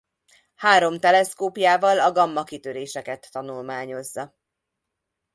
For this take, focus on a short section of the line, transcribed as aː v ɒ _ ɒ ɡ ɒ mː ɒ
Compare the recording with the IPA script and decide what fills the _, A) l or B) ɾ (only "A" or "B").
A